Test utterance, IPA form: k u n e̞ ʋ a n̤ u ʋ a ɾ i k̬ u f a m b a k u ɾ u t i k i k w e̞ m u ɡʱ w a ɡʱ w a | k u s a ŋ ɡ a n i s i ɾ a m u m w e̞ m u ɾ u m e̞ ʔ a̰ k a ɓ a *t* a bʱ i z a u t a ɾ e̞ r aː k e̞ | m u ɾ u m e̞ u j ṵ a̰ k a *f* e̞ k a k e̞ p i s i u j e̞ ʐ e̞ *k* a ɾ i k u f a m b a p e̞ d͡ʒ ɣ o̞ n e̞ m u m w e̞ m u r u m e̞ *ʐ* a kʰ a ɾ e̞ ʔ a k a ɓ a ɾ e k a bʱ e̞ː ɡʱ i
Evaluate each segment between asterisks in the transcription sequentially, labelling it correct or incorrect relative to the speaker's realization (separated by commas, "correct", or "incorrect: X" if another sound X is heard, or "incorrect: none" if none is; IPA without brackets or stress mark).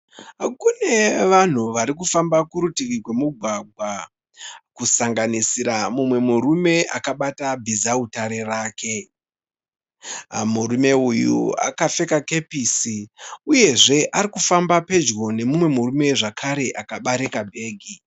correct, correct, incorrect: ʔ, correct